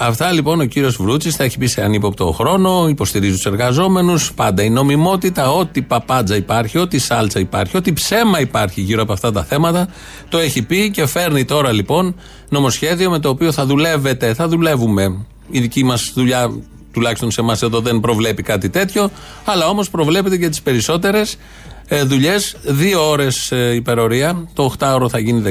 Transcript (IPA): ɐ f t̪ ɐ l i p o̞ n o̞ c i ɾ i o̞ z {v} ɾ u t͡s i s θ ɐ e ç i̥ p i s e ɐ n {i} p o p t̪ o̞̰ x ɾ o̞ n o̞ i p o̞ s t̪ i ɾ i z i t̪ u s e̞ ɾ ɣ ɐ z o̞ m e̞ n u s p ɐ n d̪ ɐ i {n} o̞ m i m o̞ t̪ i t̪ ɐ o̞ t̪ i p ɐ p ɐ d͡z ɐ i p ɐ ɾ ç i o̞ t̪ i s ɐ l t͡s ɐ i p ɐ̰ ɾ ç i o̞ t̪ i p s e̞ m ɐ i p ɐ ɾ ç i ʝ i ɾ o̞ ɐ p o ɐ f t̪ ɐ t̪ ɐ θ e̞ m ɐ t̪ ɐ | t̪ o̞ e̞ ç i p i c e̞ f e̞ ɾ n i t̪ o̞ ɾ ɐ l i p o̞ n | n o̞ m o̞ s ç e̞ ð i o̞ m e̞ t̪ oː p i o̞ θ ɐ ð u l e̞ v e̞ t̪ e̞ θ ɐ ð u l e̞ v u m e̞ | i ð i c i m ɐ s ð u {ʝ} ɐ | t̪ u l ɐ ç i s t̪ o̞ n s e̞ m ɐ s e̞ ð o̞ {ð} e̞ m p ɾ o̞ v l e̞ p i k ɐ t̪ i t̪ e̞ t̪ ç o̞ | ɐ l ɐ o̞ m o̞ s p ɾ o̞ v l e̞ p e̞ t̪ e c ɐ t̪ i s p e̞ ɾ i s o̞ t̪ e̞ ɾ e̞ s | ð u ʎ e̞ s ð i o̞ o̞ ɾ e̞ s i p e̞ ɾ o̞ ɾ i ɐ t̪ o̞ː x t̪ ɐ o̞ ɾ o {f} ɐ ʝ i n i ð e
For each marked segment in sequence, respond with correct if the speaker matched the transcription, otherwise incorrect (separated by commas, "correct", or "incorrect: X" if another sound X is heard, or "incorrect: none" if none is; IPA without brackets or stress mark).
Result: correct, correct, correct, incorrect: ʎ, correct, incorrect: θ